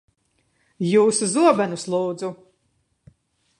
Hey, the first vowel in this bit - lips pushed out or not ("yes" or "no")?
yes